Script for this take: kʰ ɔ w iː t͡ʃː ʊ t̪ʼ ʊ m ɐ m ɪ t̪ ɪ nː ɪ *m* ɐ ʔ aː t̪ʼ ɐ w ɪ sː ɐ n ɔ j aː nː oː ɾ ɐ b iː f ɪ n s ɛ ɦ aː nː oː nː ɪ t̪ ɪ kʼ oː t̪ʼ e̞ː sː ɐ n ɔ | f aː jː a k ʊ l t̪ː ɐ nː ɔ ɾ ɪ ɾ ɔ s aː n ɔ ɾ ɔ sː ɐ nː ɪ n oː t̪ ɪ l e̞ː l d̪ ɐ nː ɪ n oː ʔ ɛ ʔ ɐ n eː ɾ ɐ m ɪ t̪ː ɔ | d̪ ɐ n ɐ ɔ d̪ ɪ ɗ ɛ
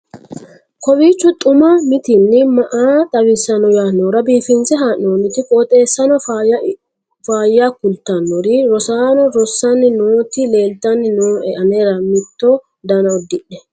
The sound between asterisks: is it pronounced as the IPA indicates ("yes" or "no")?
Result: yes